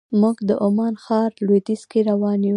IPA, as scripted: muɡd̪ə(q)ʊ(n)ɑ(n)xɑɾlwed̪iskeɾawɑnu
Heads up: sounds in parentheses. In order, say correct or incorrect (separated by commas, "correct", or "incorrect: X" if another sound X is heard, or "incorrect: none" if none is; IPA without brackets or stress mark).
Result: incorrect: ʔ, incorrect: m, correct